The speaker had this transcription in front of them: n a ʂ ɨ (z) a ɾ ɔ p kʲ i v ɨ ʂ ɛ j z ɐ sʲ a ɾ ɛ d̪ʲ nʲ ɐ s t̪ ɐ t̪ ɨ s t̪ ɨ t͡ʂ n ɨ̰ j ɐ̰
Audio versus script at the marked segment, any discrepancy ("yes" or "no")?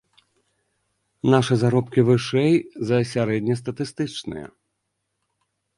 no